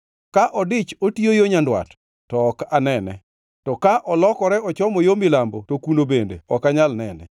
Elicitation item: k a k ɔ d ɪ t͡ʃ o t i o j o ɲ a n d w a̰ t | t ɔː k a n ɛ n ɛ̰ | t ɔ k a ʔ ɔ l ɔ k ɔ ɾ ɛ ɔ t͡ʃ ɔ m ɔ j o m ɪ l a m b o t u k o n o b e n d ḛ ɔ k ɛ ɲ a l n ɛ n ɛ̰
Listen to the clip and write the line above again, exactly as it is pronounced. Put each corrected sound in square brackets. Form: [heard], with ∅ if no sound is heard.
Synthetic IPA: k a [ʔ] ɔ d ɪ t͡ʃ o t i o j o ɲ a n d w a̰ t | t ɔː k a n ɛ n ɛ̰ | t ɔ k a ʔ ɔ l ɔ k ɔ ɾ ɛ ɔ t͡ʃ ɔ m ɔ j o m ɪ l a m b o t [o] k [u] n o b e n d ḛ ɔ k [a] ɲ a l n ɛ n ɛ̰